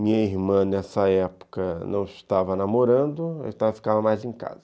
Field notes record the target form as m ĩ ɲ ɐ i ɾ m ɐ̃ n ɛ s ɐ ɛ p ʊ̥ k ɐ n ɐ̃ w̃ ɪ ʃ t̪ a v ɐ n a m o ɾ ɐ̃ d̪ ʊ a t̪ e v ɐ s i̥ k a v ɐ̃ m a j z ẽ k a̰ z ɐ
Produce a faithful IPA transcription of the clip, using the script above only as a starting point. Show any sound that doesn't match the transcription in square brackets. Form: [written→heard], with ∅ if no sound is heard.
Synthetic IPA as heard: m ĩ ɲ ɐ i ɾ m ɐ̃ n ɛ s ɐ ɛ p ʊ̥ k ɐ n ɐ̃ w̃ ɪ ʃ t̪ a v ɐ n a m o ɾ ɐ̃ d̪ ʊ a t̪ [e→a] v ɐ [s→f] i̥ k a v [ɐ̃→ɐ] m a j z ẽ k a̰ z ɐ